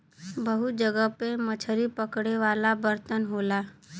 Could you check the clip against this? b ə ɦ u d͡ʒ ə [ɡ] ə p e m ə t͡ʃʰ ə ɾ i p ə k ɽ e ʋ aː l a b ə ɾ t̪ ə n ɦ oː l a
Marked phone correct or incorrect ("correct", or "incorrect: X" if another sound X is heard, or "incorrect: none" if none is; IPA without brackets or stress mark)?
correct